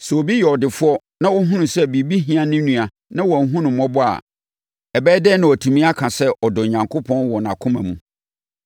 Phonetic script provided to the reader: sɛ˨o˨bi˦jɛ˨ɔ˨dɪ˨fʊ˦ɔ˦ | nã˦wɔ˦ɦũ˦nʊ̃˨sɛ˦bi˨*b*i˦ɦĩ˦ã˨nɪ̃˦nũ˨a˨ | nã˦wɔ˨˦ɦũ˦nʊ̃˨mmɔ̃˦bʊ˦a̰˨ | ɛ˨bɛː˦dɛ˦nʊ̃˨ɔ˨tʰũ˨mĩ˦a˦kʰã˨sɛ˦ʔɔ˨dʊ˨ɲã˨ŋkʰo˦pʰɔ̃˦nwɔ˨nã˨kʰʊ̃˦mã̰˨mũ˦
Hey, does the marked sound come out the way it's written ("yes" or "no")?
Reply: yes